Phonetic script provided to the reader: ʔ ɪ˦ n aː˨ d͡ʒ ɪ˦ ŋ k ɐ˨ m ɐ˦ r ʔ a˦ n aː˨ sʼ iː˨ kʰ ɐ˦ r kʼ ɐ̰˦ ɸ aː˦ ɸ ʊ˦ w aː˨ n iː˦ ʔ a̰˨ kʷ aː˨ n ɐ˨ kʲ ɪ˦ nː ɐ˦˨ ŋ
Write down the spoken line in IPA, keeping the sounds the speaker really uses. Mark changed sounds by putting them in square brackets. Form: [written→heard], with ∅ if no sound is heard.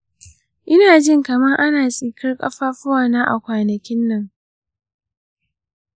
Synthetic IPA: ʔ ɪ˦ n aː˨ d͡ʒ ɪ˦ ŋ k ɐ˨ m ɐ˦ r ʔ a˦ n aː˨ sʼ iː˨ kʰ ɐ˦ r kʼ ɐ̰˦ ɸ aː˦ ɸ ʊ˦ w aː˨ n [iː˦→aː˦] ʔ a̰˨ kʷ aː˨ n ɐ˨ kʲ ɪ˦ nː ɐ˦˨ ŋ